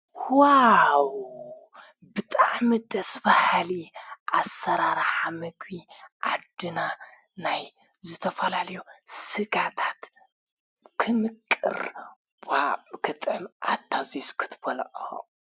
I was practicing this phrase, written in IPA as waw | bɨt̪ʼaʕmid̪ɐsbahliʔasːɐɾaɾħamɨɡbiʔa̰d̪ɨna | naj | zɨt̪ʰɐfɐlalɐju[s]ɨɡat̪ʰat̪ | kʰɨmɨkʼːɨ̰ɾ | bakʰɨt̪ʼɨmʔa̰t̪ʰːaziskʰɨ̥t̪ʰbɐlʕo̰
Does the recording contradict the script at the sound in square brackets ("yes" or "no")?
no